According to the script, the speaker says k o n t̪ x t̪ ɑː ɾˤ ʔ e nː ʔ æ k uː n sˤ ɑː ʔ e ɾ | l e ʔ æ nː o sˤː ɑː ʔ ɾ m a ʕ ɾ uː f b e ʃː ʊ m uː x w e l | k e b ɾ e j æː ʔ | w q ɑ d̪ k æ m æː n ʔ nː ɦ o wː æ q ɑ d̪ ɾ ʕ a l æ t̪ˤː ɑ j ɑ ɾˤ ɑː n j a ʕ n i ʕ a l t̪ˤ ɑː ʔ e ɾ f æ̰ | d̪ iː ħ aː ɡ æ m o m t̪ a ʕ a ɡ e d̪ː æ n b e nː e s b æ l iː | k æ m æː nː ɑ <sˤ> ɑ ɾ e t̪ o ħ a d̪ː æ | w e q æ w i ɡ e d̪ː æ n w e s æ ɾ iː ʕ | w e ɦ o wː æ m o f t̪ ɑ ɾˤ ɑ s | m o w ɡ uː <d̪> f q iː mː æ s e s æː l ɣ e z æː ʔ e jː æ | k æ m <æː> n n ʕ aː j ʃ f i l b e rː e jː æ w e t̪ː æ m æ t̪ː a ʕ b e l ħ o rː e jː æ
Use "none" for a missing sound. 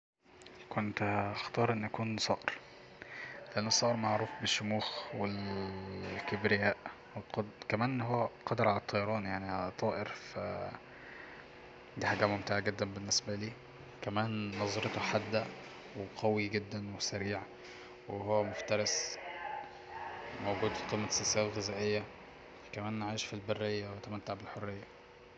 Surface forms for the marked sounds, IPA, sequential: zˤ, d̪, æː

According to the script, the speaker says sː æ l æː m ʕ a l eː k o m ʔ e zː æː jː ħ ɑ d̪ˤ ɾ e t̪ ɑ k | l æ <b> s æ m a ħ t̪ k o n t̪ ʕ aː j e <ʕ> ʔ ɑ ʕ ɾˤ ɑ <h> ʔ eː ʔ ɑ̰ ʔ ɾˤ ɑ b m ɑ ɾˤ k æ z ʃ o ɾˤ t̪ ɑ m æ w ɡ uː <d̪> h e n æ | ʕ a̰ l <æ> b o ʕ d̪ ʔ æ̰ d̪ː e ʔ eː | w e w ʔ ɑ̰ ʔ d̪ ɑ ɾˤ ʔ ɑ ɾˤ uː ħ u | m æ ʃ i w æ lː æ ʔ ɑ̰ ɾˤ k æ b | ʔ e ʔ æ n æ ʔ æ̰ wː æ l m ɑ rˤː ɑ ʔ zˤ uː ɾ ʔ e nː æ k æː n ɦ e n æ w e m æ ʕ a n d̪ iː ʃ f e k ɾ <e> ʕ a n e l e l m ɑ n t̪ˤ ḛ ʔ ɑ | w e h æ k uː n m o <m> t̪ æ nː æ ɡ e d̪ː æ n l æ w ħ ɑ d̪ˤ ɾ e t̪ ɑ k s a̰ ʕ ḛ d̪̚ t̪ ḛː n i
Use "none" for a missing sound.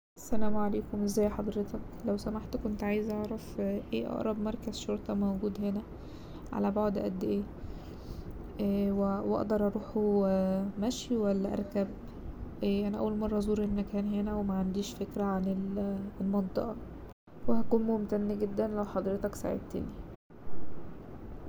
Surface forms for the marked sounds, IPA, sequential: w, z, f, d̪, æ, æ, m

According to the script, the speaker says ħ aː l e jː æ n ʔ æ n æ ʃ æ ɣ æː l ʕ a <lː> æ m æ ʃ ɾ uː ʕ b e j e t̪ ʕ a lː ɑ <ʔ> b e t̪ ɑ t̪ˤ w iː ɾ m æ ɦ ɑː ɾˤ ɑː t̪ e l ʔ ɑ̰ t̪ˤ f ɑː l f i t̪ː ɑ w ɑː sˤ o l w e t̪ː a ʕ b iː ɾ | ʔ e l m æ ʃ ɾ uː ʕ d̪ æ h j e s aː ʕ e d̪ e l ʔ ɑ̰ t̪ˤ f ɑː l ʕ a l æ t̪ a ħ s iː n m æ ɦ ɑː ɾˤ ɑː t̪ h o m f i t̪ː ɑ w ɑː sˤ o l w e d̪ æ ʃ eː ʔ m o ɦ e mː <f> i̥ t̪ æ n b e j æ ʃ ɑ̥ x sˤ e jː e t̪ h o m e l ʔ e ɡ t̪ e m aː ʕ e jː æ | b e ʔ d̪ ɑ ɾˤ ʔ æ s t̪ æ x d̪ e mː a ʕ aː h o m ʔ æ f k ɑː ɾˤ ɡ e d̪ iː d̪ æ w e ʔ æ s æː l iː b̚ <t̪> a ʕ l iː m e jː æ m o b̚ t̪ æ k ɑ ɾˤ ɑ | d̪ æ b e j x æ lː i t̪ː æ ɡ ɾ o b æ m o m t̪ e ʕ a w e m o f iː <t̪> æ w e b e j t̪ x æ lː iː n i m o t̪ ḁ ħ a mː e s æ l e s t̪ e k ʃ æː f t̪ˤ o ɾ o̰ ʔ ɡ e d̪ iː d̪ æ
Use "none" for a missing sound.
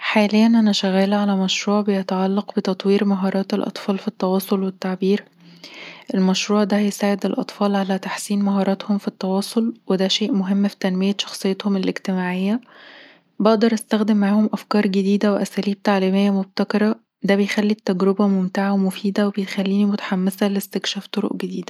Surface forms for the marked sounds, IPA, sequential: l, q, f, t̪, d̪

